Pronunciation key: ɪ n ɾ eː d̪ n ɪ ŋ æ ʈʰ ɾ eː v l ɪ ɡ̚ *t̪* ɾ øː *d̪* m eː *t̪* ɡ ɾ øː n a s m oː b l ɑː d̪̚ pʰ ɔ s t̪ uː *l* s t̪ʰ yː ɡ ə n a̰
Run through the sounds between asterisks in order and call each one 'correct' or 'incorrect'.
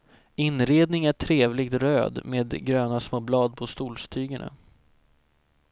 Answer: correct, correct, incorrect, correct

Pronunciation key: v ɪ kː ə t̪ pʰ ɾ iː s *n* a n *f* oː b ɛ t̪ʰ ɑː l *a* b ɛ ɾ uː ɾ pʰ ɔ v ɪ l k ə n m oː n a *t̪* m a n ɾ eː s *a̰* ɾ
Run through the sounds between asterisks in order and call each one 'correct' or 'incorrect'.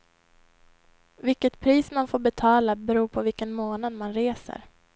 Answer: incorrect, correct, correct, incorrect, incorrect

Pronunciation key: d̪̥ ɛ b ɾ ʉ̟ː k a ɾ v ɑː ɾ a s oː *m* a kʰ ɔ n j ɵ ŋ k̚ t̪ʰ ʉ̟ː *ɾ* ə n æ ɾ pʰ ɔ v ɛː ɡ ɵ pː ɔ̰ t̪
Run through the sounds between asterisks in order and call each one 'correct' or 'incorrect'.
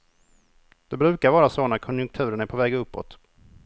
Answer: incorrect, correct

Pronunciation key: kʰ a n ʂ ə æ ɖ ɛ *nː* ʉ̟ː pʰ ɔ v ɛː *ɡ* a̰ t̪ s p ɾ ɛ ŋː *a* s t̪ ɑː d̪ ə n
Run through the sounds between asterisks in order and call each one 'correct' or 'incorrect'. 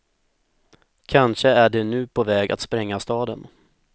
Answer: incorrect, correct, correct

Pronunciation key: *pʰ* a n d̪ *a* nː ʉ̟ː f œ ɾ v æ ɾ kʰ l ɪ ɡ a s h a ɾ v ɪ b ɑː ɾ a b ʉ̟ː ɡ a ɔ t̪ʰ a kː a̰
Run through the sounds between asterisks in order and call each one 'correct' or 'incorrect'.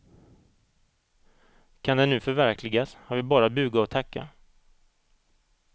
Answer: incorrect, incorrect

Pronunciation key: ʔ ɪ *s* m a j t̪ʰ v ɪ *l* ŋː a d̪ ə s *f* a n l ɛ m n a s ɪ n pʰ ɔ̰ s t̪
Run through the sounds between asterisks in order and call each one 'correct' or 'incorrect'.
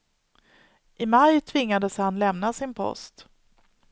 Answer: incorrect, incorrect, incorrect

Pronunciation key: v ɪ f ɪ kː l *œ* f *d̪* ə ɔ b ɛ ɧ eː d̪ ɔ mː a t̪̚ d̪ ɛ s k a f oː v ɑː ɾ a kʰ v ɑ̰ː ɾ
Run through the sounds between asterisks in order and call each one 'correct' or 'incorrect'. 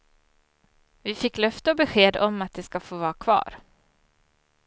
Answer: correct, incorrect

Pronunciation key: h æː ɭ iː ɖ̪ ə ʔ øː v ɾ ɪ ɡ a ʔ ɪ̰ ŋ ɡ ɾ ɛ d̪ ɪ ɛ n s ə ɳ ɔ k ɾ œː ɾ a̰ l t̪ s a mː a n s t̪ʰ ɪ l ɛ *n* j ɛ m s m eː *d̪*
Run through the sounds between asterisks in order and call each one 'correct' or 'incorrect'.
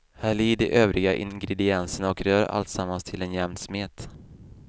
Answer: correct, incorrect

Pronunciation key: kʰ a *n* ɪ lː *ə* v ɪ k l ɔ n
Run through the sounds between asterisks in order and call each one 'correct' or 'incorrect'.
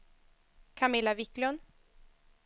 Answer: incorrect, incorrect

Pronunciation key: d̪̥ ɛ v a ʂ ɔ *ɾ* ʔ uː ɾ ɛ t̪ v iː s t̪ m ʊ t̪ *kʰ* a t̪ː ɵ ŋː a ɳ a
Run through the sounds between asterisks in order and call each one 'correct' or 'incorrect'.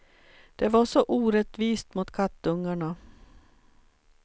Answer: incorrect, correct

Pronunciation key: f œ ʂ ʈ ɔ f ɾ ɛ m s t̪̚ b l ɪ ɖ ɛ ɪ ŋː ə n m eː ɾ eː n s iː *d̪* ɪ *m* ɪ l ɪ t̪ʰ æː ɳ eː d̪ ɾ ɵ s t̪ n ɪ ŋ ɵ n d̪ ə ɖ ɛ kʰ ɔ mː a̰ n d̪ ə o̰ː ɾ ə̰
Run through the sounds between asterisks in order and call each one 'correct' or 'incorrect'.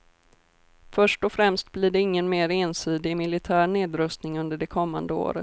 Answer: correct, correct

